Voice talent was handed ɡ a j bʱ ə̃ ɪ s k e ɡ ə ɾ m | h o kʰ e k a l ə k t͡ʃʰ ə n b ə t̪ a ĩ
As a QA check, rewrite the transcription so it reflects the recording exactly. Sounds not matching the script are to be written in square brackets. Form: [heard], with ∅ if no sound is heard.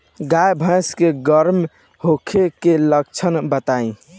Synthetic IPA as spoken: ɡ a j bʱ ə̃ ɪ s k e ɡ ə ɾ m | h o kʰ e k [e] l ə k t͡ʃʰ ə n b ə t̪ a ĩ